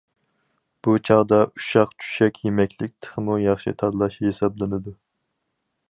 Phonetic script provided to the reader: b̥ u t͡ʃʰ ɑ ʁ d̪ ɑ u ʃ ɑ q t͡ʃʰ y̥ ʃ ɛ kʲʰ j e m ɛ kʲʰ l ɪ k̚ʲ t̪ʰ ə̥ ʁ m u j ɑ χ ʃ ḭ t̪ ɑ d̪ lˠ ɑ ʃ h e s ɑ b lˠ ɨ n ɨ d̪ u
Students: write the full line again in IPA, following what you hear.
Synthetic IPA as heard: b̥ u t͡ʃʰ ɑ ʁ d̪ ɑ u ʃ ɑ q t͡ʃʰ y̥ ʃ ɛ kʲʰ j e m ɛ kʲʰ l ɪ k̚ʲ t̪ʰ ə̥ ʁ m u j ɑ χ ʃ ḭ t̪ʰ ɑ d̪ lˠ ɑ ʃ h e s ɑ b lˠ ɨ n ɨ d̪ u